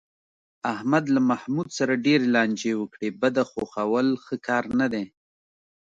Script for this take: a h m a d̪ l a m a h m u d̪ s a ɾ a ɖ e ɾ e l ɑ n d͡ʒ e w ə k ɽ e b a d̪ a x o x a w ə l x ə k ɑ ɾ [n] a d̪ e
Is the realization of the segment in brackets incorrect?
no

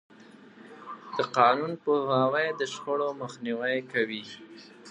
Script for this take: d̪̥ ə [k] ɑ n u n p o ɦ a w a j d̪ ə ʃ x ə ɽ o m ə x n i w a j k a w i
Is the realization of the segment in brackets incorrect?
yes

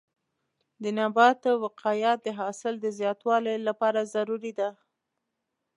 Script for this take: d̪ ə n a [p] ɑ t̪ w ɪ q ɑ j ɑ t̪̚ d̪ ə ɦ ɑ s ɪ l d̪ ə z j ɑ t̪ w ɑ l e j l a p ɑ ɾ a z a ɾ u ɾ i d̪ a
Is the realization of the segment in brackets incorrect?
yes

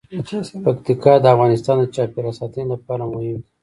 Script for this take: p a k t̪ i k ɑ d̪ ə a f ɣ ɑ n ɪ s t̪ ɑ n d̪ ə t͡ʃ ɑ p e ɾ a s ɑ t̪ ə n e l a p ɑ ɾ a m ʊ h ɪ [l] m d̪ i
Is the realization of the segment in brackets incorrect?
yes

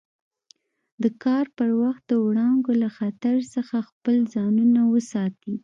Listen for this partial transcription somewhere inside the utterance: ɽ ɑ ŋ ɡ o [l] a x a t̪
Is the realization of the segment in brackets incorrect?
no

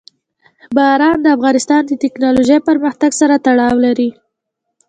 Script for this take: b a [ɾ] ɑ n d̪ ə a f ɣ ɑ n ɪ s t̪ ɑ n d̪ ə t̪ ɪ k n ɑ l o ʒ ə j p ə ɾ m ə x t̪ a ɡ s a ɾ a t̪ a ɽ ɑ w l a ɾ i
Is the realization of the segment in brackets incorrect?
no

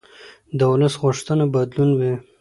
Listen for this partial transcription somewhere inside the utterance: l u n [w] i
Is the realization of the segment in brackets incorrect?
no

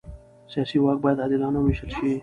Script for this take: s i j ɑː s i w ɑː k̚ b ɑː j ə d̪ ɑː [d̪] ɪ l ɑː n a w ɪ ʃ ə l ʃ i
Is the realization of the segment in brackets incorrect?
no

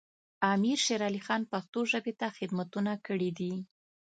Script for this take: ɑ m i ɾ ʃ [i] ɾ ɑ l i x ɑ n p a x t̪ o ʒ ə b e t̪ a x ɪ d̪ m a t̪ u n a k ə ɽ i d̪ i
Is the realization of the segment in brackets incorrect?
yes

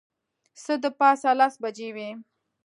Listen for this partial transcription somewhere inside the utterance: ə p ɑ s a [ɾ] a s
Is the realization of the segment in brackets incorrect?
yes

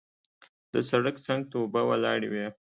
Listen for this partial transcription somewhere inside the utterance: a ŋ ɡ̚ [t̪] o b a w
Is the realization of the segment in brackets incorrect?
no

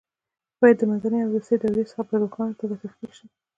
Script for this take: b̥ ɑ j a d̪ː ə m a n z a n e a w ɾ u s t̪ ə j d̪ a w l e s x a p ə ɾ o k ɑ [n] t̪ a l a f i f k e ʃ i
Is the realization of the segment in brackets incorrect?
no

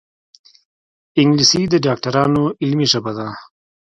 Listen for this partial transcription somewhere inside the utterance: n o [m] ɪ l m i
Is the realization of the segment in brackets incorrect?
yes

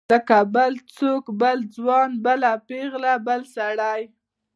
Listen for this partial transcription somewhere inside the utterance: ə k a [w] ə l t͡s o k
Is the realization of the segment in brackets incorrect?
yes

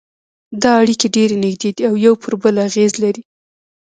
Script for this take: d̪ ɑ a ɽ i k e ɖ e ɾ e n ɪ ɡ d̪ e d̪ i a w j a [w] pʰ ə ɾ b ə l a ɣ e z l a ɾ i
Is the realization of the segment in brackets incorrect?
no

